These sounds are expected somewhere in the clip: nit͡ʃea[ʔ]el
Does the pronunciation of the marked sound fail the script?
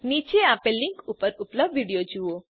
yes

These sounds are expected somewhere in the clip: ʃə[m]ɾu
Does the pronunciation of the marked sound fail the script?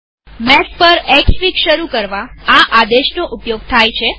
yes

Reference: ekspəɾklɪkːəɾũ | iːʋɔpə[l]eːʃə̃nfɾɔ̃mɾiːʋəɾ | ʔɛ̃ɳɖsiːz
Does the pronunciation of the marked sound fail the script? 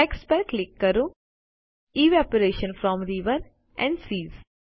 yes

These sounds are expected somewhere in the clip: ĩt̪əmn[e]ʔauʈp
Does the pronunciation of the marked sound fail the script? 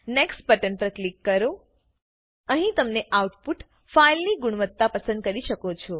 no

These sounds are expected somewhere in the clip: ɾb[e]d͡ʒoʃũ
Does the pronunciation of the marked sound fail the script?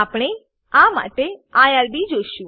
yes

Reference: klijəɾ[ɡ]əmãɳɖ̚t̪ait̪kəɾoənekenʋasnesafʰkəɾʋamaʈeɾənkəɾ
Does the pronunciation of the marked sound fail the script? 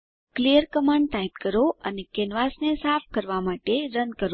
yes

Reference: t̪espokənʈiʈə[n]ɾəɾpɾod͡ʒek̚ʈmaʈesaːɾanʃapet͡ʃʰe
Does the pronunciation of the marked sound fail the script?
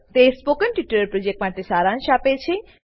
yes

